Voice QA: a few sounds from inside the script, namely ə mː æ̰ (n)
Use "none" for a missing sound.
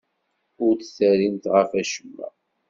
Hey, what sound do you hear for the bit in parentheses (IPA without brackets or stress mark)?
none